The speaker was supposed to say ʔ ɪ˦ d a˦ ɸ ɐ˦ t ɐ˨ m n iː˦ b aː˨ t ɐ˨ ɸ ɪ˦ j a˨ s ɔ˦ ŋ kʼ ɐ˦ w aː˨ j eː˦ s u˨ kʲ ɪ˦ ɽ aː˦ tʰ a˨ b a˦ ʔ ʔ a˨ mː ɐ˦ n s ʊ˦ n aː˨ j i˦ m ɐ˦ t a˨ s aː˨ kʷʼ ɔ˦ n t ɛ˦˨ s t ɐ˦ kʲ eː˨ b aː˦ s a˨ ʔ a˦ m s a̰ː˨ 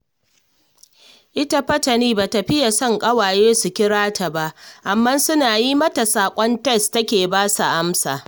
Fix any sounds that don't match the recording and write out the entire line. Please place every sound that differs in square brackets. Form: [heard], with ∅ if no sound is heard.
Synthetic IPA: ʔ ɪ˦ [t] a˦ ɸ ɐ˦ t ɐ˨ [∅] n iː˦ b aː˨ t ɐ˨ ɸ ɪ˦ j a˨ s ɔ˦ ŋ kʼ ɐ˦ w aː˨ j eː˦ s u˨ kʲ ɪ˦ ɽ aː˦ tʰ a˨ b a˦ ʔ ʔ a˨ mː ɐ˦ n s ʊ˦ n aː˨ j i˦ m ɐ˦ t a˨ s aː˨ kʷʼ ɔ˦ n t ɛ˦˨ s t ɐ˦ kʲ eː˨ b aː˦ s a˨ ʔ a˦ m s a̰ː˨